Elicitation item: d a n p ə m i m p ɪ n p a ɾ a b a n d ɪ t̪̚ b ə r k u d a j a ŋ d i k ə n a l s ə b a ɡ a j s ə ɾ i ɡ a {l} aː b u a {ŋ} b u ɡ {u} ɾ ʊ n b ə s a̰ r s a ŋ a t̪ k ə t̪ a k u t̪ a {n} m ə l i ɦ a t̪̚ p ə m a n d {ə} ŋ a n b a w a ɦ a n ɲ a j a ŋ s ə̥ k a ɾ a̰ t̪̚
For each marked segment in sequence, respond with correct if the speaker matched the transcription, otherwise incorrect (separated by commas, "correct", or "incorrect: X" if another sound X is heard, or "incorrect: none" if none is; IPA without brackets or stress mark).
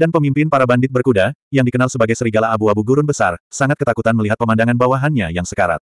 correct, incorrect: none, correct, correct, incorrect: a